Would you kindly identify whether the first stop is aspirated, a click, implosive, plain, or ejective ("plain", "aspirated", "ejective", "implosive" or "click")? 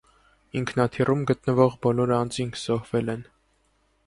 aspirated